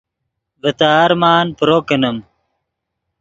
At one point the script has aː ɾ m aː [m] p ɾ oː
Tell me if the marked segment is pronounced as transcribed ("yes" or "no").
no